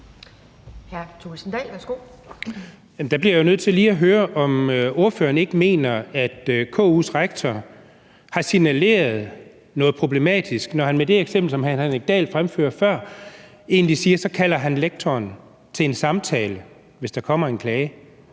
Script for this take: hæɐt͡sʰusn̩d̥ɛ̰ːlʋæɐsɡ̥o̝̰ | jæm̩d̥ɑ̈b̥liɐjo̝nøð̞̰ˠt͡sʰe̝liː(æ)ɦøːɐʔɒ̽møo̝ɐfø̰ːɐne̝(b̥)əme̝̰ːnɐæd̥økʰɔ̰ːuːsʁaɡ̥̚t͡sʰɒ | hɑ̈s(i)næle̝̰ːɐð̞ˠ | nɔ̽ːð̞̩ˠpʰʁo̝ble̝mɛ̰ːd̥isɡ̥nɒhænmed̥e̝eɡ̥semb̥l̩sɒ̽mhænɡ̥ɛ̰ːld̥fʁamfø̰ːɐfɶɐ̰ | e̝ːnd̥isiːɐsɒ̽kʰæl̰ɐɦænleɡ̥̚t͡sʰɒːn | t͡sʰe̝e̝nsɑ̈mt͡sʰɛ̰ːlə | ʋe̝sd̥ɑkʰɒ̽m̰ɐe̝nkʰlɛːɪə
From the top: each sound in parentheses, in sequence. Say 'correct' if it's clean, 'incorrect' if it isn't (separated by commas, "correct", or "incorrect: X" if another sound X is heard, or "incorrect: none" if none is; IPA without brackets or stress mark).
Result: correct, incorrect: ɡ̥, correct